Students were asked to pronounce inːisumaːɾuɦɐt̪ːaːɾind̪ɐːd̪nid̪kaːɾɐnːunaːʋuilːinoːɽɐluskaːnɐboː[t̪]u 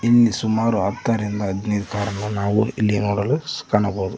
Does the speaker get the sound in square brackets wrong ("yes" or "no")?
yes